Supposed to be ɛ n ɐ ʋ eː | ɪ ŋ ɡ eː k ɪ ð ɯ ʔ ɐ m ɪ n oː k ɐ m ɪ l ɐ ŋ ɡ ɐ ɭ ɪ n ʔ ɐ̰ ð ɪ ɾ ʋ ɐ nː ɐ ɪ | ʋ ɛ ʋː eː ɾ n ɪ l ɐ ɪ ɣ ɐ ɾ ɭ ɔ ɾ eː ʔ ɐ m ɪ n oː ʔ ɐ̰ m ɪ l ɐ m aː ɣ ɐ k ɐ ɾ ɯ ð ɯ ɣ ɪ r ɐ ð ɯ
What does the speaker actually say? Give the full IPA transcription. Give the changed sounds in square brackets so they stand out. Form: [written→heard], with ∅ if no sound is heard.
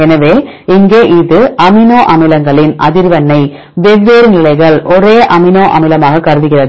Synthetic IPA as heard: ɛ n ɐ ʋ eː | ɪ ŋ ɡ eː [k→ʔ] ɪ ð ɯ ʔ ɐ m ɪ n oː [k→ʔ] ɐ m ɪ l ɐ ŋ ɡ ɐ ɭ ɪ n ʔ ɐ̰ ð ɪ ɾ ʋ ɐ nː ɐ ɪ | ʋ ɛ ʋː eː ɾ n ɪ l ɐ ɪ ɣ ɐ [ɾ→∅] ɭ ɔ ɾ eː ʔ ɐ m ɪ n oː ʔ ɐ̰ m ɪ l ɐ m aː ɣ ɐ k ɐ ɾ ɯ ð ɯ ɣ ɪ r ɐ ð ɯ

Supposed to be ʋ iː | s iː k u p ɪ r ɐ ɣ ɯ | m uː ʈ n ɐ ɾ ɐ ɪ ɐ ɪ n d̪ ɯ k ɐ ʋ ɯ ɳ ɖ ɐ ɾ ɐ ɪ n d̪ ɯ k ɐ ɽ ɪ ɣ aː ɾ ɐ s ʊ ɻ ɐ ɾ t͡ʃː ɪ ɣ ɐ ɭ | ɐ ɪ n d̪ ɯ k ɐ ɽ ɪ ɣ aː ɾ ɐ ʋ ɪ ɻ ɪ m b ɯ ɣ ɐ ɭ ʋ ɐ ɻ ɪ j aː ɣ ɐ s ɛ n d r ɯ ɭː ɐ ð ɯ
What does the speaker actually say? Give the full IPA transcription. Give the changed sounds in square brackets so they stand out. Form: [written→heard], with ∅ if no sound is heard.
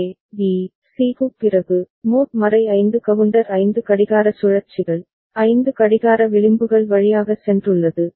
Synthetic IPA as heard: ʋ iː | s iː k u p ɪ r ɐ ɣ ɯ | m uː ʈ [n→m] ɐ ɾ ɐ ɪ ɐ ɪ n d̪ ɯ k ɐ ʋ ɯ ɳ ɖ ɐ ɾ ɐ ɪ n d̪ ɯ k ɐ ɽ ɪ ɣ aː ɾ ɐ s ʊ ɻ ɐ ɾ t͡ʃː ɪ ɣ ɐ ɭ | ɐ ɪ n d̪ ɯ k ɐ ɽ ɪ ɣ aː ɾ ɐ ʋ ɪ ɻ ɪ m b ɯ ɣ ɐ ɭ ʋ ɐ ɻ ɪ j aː ɣ ɐ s ɛ n d r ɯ ɭː ɐ ð ɯ

